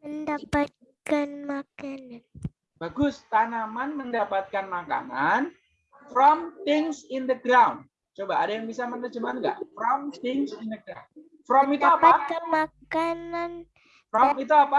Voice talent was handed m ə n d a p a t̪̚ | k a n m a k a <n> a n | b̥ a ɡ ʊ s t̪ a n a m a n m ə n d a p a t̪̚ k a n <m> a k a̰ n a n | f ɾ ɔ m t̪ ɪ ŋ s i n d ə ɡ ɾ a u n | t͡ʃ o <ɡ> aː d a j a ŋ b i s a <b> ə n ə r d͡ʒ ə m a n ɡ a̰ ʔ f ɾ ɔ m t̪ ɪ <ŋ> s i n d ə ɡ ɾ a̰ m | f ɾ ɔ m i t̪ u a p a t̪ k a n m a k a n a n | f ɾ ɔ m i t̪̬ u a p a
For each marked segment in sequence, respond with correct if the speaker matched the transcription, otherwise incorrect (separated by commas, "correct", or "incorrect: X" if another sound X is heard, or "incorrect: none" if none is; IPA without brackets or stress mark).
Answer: correct, correct, incorrect: b, incorrect: m, correct